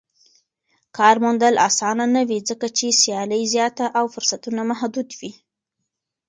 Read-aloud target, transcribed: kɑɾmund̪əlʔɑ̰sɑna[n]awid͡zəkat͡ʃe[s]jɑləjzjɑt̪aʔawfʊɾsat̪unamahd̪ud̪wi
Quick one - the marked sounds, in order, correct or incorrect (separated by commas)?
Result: correct, correct